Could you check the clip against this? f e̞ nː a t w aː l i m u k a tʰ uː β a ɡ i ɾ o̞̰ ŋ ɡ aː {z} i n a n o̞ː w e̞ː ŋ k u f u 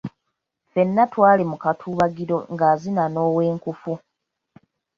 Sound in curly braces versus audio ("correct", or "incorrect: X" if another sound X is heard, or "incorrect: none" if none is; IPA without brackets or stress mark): correct